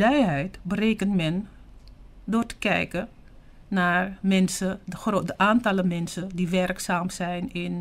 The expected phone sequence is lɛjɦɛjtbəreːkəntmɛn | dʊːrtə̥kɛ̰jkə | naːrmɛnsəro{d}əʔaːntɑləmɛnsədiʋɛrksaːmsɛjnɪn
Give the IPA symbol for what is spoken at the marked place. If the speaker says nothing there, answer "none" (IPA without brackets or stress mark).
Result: d